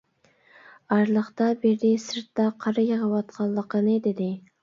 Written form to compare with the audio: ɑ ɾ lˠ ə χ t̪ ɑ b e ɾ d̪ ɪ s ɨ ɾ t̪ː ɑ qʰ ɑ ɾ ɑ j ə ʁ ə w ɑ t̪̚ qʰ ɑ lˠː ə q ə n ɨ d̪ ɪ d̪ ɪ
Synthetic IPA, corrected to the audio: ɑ ɾ lˠ ə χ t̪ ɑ b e ɾ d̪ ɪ s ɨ ɾ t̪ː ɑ qʰ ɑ ɾ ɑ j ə ʁ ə w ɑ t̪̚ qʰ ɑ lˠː ə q ə n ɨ d̪ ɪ d̪ ɪ